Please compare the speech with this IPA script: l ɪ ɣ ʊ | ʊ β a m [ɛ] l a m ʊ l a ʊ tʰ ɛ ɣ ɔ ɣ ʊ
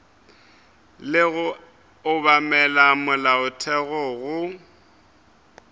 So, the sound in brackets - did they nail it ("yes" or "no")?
yes